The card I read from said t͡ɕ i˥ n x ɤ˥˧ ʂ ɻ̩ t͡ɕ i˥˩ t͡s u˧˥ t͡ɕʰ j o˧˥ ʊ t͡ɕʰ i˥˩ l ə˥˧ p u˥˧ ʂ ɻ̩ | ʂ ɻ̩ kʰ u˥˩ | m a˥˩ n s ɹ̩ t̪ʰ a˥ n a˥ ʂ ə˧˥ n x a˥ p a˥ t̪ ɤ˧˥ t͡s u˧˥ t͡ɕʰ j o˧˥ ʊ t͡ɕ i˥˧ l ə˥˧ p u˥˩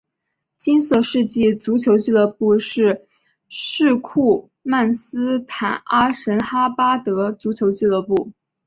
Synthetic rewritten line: t͡ɕ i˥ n s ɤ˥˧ ʂ ɻ̩ t͡ɕ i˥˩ t͡s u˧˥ t͡ɕʰ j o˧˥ ʊ t͡ɕ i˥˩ l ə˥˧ p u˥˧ ʂ ɻ̩ | ʂ ɻ̩ kʰ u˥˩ | m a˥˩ n s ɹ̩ t̪ʰ a˨˩ n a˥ ʂ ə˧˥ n x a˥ p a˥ t̪ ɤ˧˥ t͡s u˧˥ t͡ɕʰ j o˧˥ ʊ t͡ɕ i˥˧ l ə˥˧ p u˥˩